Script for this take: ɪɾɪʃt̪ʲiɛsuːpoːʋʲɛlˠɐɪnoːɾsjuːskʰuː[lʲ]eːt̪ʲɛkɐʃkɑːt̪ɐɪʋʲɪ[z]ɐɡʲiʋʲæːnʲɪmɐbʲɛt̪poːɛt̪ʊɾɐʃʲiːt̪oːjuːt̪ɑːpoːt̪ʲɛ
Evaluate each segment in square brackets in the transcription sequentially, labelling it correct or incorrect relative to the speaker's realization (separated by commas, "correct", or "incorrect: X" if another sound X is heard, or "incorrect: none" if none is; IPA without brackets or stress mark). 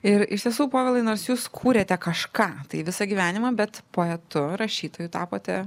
incorrect: ɾʲ, incorrect: s